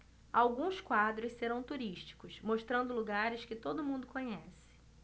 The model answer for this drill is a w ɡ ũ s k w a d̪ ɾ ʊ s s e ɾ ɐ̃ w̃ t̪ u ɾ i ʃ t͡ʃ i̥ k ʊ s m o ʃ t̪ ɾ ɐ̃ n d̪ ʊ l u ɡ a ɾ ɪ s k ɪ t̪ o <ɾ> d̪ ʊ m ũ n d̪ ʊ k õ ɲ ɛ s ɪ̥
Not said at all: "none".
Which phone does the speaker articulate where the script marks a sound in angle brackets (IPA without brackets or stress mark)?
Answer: none